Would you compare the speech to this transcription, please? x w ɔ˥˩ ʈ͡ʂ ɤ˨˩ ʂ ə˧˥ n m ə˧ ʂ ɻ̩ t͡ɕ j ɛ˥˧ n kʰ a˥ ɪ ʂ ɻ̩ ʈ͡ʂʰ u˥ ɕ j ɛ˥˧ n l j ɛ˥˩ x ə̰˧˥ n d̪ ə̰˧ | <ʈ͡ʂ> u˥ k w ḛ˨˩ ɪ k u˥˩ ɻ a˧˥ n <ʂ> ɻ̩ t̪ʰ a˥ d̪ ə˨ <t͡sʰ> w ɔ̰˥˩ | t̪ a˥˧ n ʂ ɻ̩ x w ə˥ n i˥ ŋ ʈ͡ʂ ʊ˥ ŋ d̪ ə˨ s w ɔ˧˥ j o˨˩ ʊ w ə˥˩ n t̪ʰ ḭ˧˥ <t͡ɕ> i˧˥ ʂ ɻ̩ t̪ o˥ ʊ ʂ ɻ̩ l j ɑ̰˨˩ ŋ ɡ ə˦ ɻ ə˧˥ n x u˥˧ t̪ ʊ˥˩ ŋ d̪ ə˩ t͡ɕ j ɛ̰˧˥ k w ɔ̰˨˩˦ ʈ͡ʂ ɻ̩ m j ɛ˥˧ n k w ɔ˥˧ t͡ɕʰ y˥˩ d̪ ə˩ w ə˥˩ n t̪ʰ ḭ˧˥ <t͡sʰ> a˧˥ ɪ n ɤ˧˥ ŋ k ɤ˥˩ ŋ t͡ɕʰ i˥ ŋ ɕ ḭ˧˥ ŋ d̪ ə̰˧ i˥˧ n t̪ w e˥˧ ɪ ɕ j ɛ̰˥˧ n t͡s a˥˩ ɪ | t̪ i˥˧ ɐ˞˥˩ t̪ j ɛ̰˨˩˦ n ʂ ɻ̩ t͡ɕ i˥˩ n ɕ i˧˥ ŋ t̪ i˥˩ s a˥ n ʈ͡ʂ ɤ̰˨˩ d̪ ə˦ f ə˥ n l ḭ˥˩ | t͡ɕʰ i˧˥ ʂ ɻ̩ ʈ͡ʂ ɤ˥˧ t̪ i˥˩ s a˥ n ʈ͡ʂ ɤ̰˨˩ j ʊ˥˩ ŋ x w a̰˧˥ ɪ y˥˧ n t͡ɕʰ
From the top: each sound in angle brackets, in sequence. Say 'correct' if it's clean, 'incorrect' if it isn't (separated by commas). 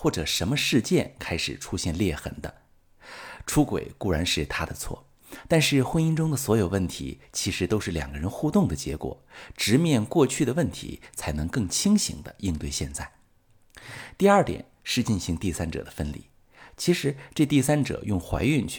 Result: incorrect, correct, correct, incorrect, correct